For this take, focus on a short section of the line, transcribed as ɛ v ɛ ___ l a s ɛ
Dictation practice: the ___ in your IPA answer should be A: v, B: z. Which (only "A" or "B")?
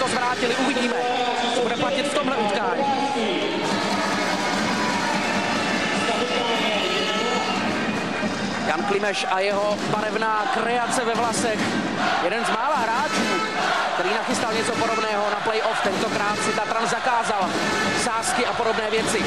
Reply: A